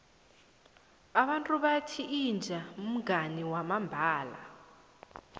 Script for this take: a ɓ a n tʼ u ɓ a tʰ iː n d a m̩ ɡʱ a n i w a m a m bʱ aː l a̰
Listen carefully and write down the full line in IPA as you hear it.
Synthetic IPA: a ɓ a n tʼ u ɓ a tʰ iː n d͡ʒʱ a m̩ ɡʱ a n i w a m a m bʱ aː l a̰